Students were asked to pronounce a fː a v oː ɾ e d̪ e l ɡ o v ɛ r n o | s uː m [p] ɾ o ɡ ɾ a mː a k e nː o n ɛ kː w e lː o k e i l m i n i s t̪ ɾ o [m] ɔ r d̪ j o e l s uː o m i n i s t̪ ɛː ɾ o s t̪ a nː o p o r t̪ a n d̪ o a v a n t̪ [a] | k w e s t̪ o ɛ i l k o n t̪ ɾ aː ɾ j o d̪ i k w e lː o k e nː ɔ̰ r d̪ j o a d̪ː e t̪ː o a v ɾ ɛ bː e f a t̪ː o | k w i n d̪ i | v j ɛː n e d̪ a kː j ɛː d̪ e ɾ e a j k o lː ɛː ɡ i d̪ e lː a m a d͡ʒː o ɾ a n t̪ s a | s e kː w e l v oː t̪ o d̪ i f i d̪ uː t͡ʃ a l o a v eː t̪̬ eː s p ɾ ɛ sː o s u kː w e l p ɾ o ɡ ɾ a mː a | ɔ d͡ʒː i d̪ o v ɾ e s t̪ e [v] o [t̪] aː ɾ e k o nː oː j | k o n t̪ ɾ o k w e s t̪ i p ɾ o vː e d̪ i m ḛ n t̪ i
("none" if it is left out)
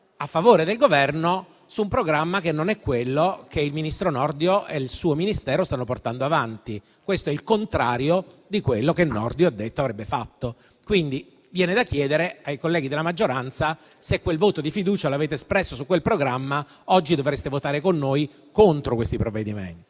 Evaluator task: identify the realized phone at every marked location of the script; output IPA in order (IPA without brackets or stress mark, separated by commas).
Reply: p, n, i, v, t̪